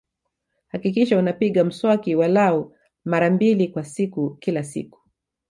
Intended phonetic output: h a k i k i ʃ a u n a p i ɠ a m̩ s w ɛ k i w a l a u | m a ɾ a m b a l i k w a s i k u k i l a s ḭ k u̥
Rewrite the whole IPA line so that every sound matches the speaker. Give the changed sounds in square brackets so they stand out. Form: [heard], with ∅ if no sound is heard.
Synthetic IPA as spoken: h a k i k i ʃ a u n a p i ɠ a m̩ s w [a] k i w a l a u | m a ɾ a m b [i] l i k w a s i k u k i l a s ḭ k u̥

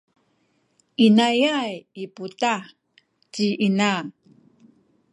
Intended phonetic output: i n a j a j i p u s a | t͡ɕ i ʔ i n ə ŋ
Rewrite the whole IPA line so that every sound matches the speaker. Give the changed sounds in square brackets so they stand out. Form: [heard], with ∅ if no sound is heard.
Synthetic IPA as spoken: i n a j a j i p u [t] a | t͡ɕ i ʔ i n [a] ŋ

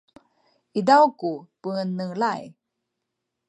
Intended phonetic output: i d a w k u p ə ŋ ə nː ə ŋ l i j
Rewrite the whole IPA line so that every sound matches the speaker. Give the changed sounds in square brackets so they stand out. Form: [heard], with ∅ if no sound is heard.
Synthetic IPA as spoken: i d a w k u p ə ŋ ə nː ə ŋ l [a] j

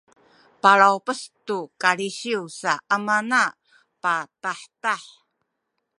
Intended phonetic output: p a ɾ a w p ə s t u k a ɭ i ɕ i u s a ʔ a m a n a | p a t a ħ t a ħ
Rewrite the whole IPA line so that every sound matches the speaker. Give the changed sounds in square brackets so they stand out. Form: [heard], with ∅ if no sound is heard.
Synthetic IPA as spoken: p a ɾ a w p ə s t u k a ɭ i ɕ i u s a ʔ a m a n a | p a t a ħ t a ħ

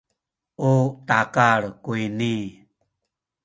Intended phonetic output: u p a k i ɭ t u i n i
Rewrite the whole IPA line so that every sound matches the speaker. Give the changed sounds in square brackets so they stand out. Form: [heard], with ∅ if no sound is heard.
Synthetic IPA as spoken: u [t] a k [a] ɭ [k] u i n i

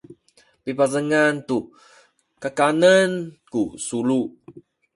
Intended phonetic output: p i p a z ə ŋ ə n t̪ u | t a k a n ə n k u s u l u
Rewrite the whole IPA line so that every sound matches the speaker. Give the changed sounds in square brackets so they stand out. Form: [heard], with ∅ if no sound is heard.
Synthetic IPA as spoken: p i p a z ə ŋ [a] n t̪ u | [k] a k a n ə n k u s u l u

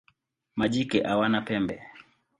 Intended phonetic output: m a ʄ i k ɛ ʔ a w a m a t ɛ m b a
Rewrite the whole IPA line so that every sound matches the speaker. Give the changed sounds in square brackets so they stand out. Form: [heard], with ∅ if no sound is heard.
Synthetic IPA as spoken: m a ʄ i k ɛ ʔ a w a [n] a [p] ɛ m b [ɛ]

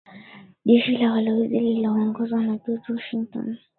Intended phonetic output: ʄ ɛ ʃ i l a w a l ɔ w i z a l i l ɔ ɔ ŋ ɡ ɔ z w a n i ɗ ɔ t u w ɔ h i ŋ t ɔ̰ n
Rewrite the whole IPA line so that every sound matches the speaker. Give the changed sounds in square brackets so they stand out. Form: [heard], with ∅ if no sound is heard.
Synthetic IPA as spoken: ʄ ɛ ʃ i l a w a l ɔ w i z [i] l i l ɔ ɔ ŋ ɡ ɔ z w a n [a] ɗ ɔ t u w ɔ [ʃ] i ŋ t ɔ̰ n

